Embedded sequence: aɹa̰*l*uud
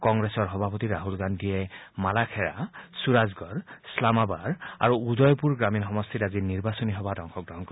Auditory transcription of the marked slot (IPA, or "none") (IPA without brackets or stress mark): ɹ